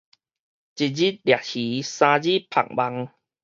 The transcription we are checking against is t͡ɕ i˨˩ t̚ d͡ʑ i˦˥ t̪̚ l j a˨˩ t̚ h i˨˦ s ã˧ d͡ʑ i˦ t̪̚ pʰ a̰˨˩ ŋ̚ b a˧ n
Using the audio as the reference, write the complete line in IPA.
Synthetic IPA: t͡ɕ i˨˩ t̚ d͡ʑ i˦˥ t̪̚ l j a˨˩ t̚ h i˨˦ s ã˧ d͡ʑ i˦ pʰ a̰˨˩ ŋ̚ b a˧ ŋ